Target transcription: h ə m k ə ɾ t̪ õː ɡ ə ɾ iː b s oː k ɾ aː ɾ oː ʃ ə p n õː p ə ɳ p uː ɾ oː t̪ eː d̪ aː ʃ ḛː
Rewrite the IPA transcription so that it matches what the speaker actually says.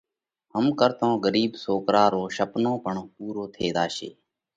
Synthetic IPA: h ə m k ə ɾ t̪ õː ɡ ə ɾ iː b s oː k ɾ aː ɾ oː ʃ ə p n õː p ə ɳ p uː ɾ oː t̪ʰ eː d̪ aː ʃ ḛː